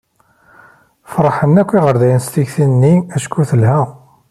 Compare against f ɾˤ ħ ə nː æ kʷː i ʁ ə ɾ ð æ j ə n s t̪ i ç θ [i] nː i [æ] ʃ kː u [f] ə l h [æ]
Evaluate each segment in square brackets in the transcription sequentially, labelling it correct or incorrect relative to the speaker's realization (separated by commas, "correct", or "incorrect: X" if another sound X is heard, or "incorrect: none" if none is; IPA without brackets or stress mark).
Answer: correct, correct, incorrect: θ, correct